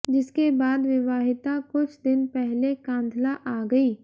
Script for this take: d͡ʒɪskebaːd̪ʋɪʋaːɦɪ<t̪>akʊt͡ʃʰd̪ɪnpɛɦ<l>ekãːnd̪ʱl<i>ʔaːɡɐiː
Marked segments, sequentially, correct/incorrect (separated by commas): correct, correct, incorrect